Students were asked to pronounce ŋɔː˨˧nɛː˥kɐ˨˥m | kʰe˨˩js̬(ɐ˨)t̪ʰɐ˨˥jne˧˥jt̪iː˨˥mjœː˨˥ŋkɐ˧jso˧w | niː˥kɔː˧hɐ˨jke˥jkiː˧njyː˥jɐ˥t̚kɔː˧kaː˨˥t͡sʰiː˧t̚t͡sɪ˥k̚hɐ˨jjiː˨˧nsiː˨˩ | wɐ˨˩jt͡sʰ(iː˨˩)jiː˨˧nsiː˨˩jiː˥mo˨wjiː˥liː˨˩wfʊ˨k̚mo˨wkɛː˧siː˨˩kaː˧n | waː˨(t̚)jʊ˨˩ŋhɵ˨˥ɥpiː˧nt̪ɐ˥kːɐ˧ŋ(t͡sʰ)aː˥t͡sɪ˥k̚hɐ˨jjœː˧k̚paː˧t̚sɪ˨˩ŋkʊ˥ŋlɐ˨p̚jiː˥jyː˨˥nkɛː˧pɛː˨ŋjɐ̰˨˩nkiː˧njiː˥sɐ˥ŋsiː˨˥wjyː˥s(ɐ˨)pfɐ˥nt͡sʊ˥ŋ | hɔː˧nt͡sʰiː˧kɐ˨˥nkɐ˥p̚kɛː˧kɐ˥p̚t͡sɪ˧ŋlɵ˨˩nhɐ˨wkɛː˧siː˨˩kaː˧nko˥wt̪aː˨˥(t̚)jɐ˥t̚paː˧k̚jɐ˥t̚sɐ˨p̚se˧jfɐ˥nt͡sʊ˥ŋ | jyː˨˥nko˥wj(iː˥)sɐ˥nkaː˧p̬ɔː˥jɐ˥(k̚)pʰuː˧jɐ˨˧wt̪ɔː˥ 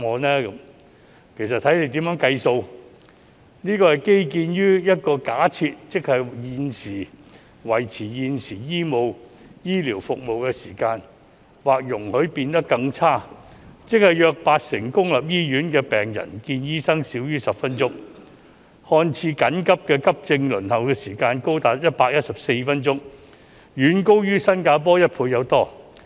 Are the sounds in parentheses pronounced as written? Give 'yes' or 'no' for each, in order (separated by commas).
yes, yes, no, yes, yes, yes, no, no